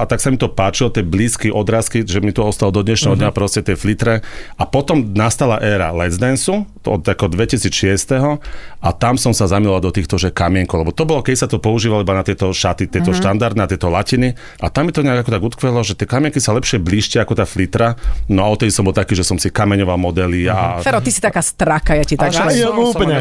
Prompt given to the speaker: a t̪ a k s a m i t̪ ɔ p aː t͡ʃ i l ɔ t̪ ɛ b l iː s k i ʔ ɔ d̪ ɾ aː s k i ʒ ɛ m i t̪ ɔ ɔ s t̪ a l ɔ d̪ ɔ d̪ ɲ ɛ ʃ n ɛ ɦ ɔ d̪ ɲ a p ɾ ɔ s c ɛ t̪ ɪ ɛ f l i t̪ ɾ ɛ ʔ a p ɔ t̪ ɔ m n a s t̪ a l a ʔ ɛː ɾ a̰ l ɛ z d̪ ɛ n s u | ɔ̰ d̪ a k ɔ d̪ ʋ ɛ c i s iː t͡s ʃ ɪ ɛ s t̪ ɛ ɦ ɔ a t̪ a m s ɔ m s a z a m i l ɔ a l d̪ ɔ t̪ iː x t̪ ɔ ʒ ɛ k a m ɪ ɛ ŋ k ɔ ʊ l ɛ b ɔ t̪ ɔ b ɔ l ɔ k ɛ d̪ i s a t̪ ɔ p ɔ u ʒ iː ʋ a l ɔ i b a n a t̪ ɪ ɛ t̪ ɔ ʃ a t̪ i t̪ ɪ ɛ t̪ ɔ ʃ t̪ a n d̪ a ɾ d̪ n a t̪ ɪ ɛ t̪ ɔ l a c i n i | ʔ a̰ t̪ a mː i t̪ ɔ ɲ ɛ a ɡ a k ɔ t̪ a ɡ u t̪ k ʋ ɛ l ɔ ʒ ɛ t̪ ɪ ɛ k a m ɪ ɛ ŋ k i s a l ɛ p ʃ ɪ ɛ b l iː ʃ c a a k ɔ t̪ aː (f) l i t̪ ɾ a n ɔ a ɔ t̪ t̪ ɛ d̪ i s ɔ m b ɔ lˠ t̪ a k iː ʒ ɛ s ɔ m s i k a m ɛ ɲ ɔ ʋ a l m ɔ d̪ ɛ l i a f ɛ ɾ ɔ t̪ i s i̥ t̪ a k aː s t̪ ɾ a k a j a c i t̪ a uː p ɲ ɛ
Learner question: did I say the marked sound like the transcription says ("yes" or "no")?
yes